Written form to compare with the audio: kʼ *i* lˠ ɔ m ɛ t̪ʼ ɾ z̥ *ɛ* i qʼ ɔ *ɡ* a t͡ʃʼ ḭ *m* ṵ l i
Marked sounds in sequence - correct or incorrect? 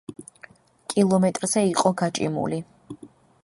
correct, correct, correct, correct

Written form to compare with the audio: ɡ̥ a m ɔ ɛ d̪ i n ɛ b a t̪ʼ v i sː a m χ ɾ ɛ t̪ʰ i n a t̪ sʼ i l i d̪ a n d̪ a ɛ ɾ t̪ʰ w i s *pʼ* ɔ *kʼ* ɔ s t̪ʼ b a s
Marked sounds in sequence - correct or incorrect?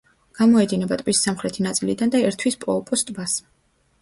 correct, incorrect: pʼ

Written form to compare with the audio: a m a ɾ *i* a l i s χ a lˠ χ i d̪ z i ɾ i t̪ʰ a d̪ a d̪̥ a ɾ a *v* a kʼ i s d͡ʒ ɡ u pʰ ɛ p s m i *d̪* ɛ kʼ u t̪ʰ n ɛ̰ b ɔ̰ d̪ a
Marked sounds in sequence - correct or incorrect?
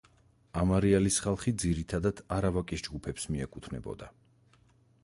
correct, correct, incorrect: none

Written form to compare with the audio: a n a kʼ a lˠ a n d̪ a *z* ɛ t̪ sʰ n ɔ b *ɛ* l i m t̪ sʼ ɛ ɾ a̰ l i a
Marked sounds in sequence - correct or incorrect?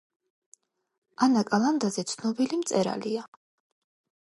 correct, incorrect: i

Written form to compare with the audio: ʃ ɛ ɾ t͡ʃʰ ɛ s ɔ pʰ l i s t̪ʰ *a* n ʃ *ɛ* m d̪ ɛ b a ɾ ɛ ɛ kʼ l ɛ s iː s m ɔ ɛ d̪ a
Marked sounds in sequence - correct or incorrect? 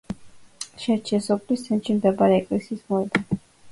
incorrect: ɛ, incorrect: i

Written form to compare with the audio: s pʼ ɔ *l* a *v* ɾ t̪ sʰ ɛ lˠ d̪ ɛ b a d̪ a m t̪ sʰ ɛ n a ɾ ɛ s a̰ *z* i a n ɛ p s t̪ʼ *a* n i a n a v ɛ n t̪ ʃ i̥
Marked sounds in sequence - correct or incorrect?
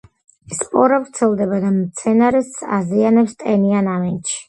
incorrect: ɾ, correct, correct, incorrect: ɛ

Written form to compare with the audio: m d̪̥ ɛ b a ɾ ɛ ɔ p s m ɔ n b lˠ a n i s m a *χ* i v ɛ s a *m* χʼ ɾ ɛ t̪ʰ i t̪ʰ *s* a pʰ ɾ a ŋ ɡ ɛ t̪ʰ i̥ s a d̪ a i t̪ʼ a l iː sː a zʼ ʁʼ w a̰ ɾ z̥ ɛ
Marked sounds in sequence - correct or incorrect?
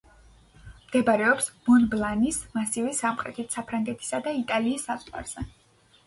incorrect: s, correct, correct

